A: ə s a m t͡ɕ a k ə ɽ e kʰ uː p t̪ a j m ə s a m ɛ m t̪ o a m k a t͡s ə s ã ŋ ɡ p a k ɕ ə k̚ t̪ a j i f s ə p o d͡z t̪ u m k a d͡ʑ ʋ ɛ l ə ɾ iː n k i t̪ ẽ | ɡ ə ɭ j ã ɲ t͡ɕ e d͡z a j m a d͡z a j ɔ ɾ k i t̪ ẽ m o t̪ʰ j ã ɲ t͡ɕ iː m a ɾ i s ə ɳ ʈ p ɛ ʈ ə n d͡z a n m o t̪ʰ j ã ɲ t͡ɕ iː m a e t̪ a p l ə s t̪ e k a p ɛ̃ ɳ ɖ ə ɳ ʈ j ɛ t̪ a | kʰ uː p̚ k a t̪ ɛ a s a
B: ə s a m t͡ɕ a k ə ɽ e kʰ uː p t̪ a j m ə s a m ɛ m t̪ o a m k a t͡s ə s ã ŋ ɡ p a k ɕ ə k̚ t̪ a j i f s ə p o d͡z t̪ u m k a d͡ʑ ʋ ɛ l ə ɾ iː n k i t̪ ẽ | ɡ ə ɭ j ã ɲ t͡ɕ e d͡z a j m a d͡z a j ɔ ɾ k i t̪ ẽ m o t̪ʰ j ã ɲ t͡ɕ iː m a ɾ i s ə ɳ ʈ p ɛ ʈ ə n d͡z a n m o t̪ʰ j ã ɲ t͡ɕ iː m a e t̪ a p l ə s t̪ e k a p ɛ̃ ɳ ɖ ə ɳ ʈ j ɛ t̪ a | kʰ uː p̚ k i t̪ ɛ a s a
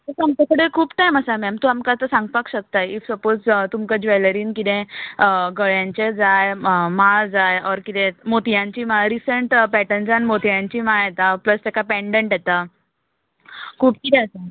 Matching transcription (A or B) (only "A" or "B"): B